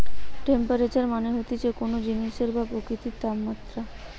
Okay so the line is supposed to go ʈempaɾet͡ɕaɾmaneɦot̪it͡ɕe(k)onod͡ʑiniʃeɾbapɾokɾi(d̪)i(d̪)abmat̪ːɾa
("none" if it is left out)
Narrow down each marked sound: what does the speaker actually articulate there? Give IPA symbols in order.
k, t̪, t̪

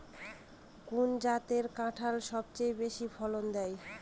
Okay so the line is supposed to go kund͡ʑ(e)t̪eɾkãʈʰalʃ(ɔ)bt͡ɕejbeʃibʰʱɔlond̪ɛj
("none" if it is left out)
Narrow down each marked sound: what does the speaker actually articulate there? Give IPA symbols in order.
a, ɔ

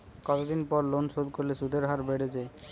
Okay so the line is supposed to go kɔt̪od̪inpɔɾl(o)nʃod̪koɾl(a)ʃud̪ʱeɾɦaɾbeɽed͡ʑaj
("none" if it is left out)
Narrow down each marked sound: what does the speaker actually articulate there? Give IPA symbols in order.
o, e

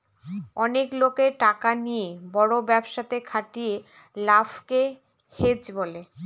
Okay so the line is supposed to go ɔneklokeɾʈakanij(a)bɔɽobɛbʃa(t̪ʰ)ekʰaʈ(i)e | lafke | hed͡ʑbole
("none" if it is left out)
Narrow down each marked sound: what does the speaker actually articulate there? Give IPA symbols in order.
e, t̪, i

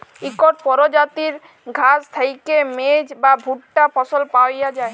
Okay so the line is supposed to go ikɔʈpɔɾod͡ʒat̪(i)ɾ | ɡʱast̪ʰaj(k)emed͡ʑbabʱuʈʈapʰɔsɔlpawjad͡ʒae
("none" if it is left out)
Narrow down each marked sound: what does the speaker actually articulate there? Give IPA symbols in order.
i, k

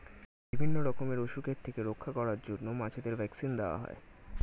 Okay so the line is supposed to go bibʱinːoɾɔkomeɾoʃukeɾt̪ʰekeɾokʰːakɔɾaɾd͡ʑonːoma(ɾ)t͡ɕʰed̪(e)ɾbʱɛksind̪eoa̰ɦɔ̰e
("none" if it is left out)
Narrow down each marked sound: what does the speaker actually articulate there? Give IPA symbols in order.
none, e

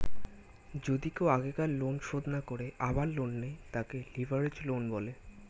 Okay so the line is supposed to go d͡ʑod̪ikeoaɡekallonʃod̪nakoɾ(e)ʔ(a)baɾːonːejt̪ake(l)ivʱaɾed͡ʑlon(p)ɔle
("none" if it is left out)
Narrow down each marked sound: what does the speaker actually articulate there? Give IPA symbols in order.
e, a, l, b

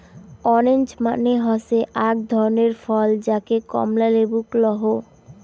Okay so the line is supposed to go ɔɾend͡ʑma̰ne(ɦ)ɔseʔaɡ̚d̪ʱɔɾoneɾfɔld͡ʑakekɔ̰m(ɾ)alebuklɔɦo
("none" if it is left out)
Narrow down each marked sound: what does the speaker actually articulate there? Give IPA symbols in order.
ɦ, l

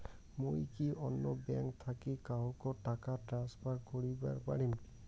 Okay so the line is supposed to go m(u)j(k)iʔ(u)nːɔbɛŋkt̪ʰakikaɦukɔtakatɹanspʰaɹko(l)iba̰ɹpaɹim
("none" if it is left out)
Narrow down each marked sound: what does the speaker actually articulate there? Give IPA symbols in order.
o, k, ɔ, ɹ

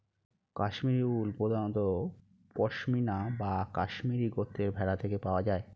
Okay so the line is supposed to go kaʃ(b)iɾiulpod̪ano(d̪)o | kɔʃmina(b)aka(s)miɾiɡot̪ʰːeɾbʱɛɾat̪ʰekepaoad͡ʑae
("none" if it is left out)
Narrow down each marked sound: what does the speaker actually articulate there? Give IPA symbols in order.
m, t̪, b, ʃ

